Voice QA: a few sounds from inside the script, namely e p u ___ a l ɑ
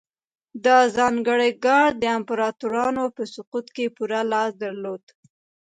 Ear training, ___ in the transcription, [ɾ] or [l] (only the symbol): ɾ